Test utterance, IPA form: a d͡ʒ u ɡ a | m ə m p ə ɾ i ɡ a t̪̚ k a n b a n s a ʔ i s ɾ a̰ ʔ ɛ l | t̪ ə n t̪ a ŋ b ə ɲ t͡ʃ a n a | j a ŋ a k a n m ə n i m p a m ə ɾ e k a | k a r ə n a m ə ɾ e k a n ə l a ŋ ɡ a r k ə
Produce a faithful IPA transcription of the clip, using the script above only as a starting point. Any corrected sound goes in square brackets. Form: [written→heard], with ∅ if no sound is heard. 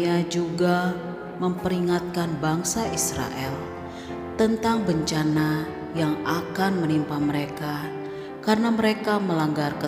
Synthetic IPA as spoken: a d͡ʒ u ɡ a | m ə m p ə ɾ i [ɡ→ŋ] a t̪̚ k a n b a [n→ŋ] s a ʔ i s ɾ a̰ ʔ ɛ l | t̪ ə n t̪ a ŋ b ə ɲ t͡ʃ a n a | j a ŋ a k a n m ə n i m p a m ə ɾ e k a | k a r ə n a m ə ɾ e k a [n→m] ə l a ŋ ɡ a r k ə